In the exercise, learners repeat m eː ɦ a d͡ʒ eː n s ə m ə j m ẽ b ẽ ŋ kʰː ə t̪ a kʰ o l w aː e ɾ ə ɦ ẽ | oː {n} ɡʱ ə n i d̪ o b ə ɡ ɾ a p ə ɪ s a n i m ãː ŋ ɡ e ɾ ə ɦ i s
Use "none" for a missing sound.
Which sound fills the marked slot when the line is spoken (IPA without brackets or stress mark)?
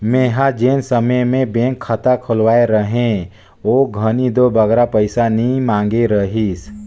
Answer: none